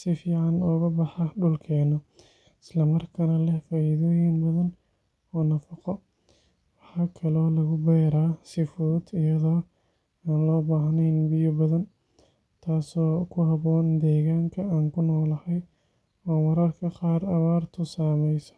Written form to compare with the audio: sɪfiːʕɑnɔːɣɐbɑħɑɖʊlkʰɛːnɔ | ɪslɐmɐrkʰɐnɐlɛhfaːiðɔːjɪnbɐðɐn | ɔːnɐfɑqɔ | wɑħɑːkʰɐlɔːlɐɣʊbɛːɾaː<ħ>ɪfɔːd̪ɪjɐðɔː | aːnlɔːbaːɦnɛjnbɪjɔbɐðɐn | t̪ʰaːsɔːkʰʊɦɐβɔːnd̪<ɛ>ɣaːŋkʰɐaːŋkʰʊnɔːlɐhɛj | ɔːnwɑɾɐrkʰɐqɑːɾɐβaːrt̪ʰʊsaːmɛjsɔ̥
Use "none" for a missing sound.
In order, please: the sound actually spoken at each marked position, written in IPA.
s, ɛː

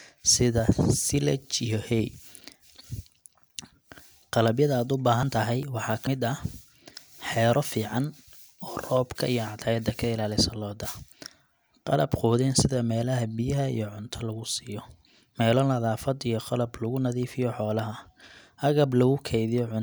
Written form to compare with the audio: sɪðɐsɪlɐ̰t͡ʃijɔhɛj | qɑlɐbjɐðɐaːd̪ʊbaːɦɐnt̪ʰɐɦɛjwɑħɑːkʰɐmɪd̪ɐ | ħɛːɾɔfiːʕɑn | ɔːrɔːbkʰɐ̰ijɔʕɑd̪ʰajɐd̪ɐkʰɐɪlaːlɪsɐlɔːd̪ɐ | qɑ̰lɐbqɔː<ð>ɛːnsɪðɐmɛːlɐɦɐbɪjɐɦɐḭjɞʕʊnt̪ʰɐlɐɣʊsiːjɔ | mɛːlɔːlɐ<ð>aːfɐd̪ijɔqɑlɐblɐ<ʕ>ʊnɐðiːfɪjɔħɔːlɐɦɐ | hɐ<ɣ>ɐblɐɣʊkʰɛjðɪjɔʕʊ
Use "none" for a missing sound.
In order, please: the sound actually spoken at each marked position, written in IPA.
ð, ð, ɣ, ɣ

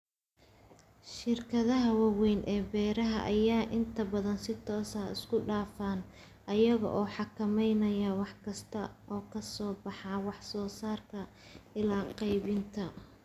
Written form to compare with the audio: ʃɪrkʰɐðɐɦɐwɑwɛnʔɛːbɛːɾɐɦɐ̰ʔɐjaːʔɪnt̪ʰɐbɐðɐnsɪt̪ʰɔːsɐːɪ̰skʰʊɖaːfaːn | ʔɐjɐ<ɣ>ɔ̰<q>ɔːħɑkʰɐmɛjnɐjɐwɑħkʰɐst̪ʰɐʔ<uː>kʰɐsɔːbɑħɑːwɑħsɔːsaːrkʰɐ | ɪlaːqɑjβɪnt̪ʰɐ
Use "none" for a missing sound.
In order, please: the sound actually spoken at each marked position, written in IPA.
ɣ, ʔ, ɔː

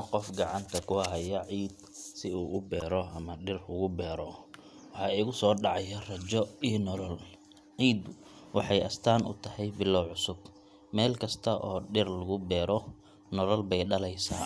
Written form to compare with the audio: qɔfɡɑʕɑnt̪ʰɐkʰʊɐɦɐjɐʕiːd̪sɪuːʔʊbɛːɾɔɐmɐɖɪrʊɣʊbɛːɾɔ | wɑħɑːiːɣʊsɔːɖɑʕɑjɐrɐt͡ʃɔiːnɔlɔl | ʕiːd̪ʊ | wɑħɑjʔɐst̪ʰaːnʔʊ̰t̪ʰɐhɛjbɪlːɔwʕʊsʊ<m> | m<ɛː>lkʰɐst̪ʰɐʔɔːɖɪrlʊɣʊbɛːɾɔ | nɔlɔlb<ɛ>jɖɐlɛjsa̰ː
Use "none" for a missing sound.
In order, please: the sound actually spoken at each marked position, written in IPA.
b, ɛː, ɛ

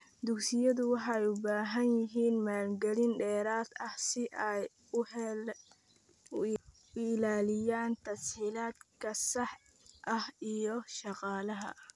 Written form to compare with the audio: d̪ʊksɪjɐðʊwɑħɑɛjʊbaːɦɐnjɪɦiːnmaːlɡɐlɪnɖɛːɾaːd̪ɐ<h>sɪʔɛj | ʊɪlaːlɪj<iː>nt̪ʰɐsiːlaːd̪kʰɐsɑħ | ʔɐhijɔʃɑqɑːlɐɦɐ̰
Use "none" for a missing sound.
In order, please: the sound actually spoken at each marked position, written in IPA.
h, aː

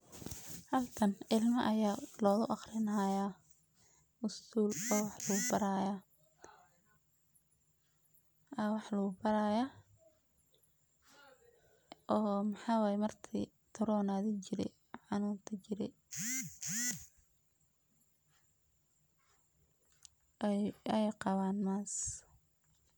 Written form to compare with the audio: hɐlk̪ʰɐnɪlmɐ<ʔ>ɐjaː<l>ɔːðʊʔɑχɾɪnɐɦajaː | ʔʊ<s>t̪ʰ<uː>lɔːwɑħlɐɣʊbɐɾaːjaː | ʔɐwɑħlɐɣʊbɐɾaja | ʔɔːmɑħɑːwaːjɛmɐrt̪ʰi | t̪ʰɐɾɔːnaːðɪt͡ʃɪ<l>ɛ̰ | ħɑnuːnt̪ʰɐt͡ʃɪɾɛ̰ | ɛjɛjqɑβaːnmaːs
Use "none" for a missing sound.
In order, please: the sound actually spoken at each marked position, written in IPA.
ʔ, l, s, uː, ɾ

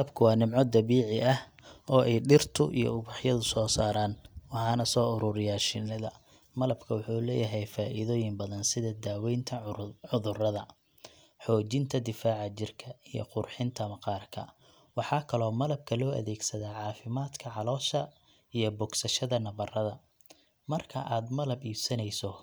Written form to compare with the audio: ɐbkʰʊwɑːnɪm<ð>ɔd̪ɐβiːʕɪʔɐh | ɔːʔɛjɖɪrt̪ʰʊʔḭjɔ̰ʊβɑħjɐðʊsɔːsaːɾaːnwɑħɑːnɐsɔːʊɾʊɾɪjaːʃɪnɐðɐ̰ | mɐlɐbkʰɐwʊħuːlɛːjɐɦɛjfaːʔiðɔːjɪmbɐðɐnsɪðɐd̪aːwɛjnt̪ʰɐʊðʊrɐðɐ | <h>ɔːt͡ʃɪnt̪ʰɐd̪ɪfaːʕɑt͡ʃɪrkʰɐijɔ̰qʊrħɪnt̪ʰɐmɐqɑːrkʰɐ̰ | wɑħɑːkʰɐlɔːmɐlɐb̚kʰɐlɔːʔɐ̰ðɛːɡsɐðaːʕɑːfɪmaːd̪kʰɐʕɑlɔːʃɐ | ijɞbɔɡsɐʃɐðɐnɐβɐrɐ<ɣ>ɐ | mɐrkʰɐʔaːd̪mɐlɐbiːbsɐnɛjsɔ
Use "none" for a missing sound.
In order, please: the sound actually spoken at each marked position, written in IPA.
ʕ, ħ, ð

